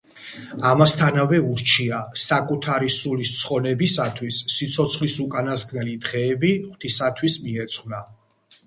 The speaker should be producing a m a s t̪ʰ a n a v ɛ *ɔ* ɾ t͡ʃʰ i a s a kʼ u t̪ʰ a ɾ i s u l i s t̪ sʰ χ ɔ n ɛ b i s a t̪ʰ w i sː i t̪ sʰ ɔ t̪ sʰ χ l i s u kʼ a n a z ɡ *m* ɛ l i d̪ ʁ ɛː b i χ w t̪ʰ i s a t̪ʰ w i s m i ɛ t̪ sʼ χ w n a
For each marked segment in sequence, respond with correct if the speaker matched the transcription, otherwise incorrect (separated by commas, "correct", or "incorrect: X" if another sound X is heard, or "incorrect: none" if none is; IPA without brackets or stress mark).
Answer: incorrect: u, incorrect: n